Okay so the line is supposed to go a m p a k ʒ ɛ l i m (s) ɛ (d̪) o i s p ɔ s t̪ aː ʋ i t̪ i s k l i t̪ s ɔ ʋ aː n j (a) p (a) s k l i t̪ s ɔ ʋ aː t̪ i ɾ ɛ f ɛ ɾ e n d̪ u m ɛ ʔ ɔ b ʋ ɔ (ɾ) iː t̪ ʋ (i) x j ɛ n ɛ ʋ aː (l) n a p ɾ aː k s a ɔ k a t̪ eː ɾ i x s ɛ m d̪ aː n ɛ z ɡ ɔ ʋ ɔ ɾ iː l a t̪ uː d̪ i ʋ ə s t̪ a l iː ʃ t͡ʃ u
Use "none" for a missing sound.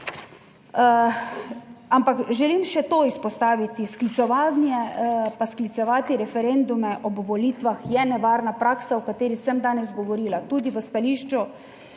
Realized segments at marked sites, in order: ʃ, t̪, ɛ, a, l, a, ɾ

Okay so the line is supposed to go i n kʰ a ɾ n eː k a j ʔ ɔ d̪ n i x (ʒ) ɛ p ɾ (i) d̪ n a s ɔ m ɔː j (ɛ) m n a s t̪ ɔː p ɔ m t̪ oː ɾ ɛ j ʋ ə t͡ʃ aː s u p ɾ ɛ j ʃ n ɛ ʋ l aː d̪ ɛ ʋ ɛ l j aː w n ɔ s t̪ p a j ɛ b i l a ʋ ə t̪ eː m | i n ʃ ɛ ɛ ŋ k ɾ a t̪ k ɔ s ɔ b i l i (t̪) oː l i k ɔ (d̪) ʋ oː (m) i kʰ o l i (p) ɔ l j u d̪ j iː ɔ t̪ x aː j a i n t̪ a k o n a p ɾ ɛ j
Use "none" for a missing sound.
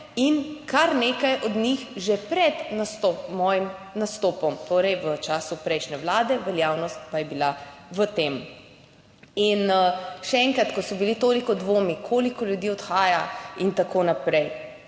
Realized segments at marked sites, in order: ʒ, ɛ, i, t̪, d̪, m, k

